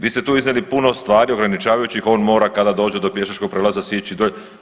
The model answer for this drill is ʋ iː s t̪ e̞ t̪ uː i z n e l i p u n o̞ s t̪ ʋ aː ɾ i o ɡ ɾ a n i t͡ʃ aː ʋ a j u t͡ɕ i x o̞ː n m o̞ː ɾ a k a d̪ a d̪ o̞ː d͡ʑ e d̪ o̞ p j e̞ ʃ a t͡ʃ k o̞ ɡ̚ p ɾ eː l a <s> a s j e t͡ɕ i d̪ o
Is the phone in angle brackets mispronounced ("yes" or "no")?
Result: yes